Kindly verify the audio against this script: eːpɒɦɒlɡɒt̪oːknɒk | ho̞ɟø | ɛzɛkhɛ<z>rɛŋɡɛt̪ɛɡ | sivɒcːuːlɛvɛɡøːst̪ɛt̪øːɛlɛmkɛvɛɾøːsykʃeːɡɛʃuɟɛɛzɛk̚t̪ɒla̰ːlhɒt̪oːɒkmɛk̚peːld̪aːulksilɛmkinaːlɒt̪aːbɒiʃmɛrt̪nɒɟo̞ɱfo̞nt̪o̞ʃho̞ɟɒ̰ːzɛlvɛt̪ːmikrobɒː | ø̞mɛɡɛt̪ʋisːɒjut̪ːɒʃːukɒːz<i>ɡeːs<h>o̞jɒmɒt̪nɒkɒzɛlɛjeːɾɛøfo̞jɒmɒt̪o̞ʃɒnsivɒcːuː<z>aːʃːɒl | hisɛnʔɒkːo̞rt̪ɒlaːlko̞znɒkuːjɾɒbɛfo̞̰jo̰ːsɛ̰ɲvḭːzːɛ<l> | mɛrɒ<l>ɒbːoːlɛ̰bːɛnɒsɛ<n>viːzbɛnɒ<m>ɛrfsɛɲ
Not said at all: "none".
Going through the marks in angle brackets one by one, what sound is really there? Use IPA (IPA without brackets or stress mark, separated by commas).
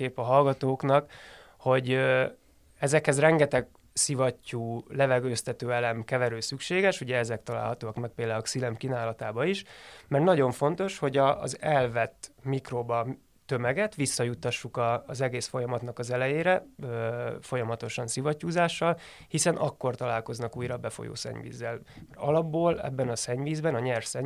z, ɛ, f, z, l, l, ɲ, ɲ